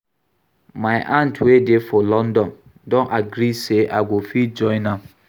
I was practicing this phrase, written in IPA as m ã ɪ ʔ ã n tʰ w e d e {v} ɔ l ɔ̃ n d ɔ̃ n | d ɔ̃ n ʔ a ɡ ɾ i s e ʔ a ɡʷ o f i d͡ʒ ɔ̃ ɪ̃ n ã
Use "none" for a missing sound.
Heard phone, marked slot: f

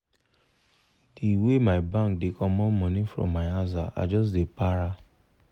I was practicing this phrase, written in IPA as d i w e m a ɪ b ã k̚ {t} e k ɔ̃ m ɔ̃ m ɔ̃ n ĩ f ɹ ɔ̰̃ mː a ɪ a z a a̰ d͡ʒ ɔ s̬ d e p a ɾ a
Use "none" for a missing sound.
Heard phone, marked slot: d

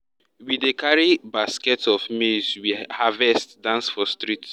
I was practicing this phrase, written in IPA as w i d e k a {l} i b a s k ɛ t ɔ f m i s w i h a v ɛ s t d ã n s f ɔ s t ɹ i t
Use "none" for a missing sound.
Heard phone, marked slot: ɹ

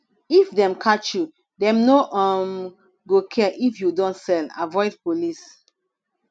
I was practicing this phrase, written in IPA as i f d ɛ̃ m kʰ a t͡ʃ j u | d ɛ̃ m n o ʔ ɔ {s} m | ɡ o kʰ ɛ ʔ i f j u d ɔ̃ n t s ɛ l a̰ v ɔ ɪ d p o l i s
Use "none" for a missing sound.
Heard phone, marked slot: none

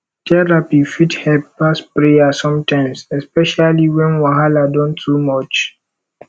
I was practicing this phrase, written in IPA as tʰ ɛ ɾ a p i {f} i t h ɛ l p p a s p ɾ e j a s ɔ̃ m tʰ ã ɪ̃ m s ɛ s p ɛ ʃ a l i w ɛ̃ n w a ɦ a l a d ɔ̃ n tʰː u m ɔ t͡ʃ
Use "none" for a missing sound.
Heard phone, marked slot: f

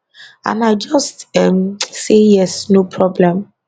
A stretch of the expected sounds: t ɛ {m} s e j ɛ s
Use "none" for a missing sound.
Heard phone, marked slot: m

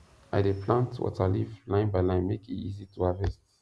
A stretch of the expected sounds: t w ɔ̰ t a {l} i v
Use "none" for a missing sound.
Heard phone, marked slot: l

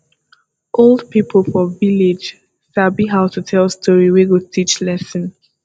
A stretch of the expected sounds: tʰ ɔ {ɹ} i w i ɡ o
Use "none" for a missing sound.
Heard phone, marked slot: ɹ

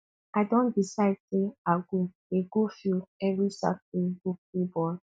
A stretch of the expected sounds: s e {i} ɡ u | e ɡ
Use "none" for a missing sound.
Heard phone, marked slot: a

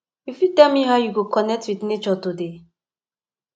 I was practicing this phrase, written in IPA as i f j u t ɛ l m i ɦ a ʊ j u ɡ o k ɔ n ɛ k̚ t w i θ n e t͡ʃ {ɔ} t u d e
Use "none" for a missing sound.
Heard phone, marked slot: ɔ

